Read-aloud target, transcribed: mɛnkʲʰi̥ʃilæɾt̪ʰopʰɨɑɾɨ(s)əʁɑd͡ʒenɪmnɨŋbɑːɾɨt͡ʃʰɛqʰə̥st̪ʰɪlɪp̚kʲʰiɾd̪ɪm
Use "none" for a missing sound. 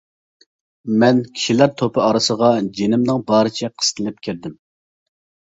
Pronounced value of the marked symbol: s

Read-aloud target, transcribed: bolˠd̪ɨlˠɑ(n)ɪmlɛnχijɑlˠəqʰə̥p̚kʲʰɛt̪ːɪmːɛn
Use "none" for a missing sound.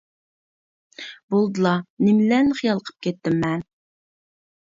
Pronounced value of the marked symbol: n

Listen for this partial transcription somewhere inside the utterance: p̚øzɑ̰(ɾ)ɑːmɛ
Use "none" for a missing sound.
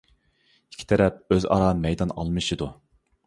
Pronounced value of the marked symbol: ɾ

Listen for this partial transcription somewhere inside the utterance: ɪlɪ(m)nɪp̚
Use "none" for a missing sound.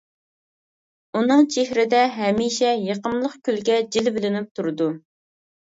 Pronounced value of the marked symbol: none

